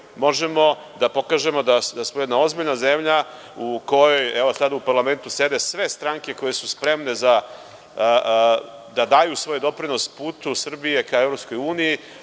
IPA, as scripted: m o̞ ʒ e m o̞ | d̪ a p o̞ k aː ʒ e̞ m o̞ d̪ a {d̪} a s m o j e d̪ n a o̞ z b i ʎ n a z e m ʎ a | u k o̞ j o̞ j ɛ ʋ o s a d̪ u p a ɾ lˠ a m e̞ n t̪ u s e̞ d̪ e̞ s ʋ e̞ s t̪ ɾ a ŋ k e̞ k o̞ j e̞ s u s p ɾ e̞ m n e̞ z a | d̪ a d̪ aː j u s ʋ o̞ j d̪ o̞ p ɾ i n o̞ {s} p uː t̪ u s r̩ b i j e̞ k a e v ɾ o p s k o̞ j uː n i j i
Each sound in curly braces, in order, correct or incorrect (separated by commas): correct, correct